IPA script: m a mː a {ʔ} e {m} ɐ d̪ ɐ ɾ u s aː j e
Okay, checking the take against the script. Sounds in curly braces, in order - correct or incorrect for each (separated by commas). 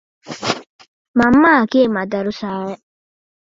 incorrect, correct